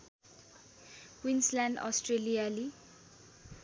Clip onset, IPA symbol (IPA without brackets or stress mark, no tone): w